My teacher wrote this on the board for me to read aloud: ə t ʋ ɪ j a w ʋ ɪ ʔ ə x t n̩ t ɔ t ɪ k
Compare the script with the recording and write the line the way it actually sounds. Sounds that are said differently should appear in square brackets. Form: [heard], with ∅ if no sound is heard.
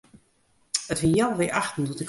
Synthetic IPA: ə t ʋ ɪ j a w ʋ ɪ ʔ [a] x t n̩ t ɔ t ɪ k